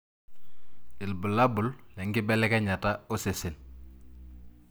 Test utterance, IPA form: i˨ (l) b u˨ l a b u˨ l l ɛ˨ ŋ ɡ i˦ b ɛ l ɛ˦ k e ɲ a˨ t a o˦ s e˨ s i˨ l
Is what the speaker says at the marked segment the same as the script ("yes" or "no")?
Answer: yes